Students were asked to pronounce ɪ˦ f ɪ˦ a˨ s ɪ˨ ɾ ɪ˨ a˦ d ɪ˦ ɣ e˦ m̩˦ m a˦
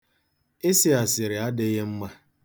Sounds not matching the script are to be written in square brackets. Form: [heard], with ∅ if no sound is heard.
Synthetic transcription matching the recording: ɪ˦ [s] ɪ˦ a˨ s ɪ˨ ɾ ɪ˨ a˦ d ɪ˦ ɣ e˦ m̩˦ m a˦